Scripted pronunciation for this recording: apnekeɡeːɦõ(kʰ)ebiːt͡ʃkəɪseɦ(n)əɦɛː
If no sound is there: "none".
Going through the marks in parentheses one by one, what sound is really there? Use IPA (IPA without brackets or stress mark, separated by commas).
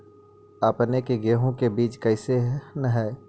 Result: k, n